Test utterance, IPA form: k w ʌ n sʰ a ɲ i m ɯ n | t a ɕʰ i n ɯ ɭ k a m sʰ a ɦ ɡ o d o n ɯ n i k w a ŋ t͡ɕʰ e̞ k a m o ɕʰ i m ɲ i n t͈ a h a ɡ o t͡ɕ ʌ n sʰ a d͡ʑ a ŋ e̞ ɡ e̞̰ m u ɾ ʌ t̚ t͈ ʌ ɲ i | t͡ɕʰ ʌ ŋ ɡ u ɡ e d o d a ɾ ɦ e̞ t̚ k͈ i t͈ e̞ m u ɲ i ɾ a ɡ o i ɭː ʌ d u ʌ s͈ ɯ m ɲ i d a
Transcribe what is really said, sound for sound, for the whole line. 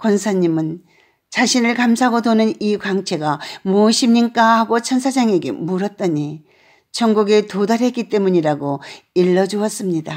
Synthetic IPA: k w ʌ n sʰ a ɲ i m ɯ n | t͡ɕ a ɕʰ i n ɯ ɭ k a m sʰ a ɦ ɡ o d o n ɯ n i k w a ŋ t͡ɕʰ e̞ ɡ a m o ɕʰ i m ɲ i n k͈ a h a ɡ o t͡ɕʰ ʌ n sʰ a d͡ʑ a ŋ e̞ ɡ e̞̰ m u ɾ ʌ t̚ t͈ ʌ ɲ i | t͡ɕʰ ʌ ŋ ɡ u ɡ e t o d a ɾ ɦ e̞ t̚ k͈ i t͈ e̞ m u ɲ i ɾ a ɡ o i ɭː ʌ d͡ʑ u ʌ s͈ ɯ m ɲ i d a